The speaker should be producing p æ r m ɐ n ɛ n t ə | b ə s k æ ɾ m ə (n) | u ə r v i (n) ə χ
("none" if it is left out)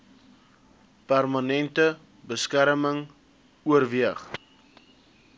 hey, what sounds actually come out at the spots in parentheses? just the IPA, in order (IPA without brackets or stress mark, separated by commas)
ŋ, none